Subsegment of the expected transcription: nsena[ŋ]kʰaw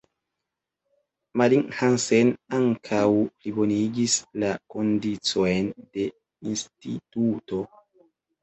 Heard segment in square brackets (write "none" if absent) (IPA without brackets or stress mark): ŋ